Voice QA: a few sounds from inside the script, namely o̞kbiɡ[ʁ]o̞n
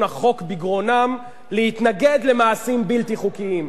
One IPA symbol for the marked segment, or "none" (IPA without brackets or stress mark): ʁ